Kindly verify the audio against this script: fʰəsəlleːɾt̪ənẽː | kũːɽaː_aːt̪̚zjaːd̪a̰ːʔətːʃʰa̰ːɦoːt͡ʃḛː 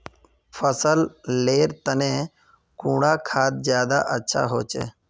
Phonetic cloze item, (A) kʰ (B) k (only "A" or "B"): A